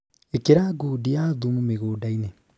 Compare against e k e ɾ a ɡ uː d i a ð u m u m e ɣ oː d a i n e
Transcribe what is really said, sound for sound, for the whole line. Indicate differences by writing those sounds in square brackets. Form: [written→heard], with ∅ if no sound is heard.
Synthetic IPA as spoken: e k e ɾ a ɡ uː d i a ð u m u m e ɣ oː d a i n e